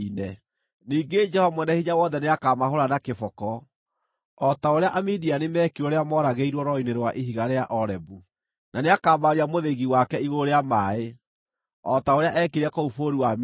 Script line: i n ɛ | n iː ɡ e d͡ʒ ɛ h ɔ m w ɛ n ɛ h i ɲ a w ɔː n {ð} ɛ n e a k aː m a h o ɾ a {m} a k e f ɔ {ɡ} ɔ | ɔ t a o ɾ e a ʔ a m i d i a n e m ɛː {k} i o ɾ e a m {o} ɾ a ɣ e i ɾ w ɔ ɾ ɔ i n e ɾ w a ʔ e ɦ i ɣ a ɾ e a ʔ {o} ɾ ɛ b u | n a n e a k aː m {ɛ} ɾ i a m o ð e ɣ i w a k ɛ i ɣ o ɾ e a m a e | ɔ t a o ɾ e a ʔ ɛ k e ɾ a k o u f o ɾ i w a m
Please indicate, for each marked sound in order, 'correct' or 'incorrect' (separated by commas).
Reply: correct, incorrect, incorrect, correct, incorrect, incorrect, incorrect